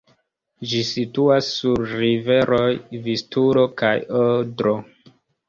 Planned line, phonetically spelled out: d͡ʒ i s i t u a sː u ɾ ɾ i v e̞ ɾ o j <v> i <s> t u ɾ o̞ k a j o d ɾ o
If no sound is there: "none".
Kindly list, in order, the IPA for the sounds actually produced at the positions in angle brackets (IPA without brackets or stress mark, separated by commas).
v, s